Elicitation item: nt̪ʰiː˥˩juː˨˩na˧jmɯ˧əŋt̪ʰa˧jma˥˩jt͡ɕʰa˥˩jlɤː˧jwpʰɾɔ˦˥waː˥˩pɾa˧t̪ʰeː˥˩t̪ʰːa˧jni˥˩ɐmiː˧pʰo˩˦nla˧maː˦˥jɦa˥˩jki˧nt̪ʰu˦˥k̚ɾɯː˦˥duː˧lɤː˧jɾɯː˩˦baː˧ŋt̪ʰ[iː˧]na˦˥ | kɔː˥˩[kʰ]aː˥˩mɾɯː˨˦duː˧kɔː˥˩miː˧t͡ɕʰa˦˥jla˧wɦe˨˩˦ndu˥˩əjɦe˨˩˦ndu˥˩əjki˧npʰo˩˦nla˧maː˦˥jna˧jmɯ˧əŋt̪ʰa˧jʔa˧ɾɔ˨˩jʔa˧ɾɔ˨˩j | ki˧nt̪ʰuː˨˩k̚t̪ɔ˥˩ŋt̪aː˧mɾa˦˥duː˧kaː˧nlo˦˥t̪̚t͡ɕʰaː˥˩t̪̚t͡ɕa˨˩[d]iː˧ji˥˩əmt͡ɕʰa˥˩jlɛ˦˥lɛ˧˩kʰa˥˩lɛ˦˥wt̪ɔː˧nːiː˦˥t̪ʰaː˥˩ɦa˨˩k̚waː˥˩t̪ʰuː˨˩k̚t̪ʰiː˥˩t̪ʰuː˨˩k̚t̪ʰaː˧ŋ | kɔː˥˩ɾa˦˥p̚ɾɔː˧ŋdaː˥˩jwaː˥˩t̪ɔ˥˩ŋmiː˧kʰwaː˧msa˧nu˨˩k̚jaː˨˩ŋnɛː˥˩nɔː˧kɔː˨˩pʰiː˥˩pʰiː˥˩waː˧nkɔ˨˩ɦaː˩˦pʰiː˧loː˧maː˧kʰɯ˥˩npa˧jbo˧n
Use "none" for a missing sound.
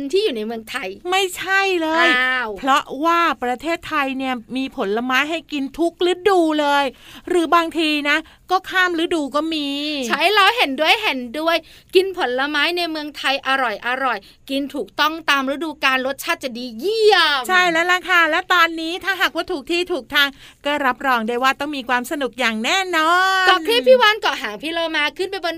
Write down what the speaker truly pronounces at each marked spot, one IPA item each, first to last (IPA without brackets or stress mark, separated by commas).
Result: iː˧, kʰ, d